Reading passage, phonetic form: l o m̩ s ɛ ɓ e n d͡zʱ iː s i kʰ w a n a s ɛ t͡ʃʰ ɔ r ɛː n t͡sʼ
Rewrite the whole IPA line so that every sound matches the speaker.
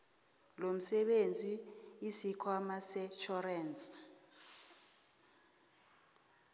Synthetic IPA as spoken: l o m̩ s ɛ ɓ e n d͡zʱ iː s i kʰ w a m a s ɛ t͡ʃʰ ɔ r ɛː n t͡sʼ